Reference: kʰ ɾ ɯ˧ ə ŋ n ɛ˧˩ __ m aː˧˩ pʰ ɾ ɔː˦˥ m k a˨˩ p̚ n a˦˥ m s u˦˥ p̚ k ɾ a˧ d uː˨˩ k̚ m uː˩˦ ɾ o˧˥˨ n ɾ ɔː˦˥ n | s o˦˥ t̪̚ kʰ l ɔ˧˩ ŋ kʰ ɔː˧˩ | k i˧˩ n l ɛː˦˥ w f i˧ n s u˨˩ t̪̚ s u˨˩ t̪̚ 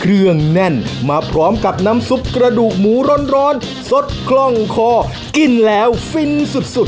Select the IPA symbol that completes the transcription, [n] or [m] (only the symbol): n